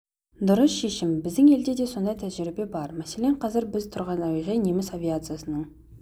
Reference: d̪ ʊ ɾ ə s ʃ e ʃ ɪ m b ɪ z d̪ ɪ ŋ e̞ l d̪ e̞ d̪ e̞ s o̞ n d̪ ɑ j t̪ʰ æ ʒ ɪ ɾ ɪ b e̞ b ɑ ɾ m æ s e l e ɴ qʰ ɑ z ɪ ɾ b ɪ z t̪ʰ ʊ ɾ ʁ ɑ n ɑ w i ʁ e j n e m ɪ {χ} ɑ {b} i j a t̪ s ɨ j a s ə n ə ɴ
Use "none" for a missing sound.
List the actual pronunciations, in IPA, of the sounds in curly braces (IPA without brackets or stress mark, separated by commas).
s, v